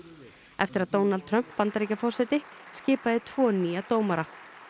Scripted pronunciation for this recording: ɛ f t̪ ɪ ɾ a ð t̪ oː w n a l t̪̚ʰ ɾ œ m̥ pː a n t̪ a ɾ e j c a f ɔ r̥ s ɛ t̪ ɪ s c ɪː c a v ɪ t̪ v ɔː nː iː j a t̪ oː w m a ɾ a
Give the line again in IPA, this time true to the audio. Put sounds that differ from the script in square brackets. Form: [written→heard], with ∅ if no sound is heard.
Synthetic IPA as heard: ɛ f t̪ ɪ ɾ a ð t̪ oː w n a l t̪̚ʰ ɾ œ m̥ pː a n t̪ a ɾ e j c a f ɔ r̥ s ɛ t̪ ɪ s c ɪː [c→p] a [v→ð] ɪ [t̪→t̪ʰ] v ɔː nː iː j a t̪ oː w m a ɾ a

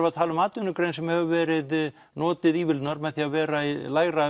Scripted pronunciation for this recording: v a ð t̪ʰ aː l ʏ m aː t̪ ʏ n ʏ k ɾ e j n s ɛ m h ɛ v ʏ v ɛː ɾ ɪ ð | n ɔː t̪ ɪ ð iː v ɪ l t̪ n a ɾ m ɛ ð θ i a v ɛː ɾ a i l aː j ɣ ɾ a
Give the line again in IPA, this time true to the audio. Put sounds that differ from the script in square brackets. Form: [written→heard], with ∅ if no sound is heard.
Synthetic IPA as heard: v a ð t̪ʰ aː l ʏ m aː t̪ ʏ n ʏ k ɾ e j n s ɛ m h ɛ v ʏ v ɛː ɾ ɪ ð | n ɔː t̪ ɪ ð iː v ɪ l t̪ n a ɾ m ɛ ð θ i a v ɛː ɾ a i l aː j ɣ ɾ a

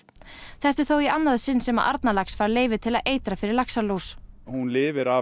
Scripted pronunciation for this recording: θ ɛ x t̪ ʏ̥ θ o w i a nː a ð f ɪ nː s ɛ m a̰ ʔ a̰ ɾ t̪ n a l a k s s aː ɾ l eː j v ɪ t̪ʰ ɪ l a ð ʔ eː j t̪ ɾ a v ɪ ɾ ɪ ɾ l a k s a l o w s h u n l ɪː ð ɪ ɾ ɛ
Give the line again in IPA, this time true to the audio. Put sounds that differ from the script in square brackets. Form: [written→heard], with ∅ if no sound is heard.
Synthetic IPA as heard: θ ɛ [x→h] t̪ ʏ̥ θ o w i a nː a ð [f→s] ɪ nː s ɛ m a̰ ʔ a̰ ɾ t̪ n a l a k s [s→f] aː ɾ l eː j v ɪ t̪ʰ ɪ l a ð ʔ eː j t̪ ɾ a [v→f] ɪ ɾ ɪ ɾ l a k s a l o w s h u n l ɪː [ð→v] ɪ ɾ [ɛ→a]

